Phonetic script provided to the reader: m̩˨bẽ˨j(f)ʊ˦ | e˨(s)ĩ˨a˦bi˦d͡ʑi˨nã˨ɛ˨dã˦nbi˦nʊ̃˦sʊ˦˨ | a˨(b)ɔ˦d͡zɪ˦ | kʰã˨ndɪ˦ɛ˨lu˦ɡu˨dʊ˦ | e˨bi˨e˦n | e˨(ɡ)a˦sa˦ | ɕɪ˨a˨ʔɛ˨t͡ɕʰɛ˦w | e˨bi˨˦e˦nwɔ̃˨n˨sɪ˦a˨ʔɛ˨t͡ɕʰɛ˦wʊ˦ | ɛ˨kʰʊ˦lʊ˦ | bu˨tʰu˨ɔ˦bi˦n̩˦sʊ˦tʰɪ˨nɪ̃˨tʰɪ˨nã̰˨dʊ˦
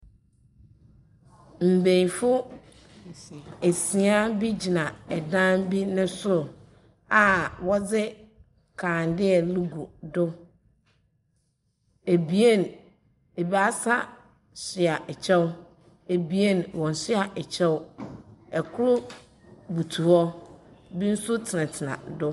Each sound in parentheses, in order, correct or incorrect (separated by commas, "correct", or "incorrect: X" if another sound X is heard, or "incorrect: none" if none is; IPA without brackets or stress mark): correct, correct, incorrect: w, incorrect: b